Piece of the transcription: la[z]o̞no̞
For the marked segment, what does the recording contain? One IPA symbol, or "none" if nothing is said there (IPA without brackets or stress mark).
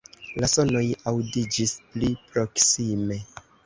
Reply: s